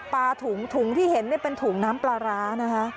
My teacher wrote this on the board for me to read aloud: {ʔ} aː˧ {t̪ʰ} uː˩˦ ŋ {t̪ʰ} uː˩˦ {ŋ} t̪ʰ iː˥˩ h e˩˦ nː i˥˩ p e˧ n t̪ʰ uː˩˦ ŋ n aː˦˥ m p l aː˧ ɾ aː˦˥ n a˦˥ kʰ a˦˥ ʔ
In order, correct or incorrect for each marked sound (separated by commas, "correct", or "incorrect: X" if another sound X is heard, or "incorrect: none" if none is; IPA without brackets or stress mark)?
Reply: incorrect: p, correct, correct, correct